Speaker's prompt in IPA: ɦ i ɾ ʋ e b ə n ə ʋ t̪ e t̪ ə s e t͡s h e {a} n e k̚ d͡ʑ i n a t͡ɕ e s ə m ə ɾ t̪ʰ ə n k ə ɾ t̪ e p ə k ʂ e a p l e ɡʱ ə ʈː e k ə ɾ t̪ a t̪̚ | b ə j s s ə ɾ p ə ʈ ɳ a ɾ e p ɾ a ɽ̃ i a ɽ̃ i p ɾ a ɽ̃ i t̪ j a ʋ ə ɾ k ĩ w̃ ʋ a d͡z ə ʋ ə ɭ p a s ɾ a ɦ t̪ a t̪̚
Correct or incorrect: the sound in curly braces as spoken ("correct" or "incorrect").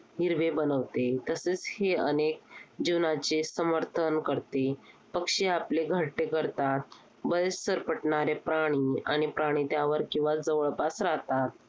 incorrect